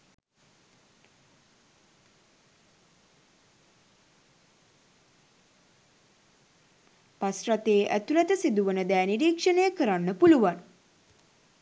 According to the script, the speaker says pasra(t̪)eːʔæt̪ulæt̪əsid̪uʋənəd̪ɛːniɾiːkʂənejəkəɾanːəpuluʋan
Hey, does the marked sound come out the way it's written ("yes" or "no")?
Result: yes